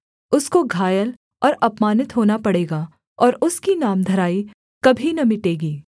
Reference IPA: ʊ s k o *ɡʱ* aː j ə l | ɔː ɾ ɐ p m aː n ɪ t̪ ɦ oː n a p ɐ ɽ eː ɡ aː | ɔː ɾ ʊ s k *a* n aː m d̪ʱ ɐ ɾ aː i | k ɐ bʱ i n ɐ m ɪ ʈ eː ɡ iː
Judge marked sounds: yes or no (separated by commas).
yes, no